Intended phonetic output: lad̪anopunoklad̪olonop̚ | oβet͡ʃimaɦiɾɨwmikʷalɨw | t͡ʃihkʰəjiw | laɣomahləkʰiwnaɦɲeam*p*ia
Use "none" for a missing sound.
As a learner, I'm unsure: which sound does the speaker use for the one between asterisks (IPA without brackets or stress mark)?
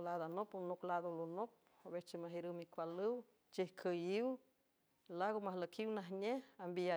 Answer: b